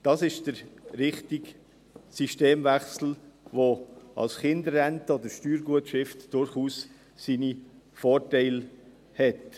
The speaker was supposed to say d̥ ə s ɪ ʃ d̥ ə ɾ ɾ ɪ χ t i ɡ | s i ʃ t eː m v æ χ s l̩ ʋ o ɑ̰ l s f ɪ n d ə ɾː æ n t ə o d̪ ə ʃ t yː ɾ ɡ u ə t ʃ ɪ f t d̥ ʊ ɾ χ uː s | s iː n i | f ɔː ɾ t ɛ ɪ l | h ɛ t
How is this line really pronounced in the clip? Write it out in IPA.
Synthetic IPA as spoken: d̥ ɑ s ɪ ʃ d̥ ə ɾ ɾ ɪ χ t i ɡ | s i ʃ t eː m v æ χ s l̩ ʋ o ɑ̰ l s χ ɪ n d ə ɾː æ n t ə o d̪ ə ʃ t yː ɾ ɡ u ə t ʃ ɪ f t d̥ ʊ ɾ χ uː s | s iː n i | f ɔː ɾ t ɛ ɪ l | h ɛ t